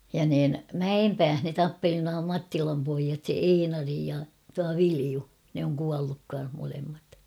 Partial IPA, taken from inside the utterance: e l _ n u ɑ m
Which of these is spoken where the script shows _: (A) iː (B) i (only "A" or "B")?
B